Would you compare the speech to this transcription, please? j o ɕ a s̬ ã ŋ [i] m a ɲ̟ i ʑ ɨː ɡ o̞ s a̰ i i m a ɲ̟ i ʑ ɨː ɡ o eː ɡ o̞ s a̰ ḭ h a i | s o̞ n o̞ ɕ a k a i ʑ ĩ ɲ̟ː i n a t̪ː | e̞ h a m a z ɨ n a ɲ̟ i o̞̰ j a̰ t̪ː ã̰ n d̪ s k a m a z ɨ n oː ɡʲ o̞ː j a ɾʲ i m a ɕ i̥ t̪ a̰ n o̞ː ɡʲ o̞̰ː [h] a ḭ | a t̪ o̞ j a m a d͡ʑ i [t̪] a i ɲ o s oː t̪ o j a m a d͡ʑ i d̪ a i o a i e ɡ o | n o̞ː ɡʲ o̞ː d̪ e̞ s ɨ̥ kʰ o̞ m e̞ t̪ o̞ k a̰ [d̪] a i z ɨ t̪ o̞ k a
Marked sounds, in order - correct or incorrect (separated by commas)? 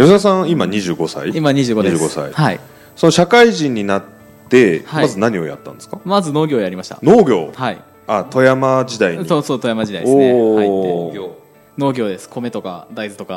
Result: correct, correct, incorrect, correct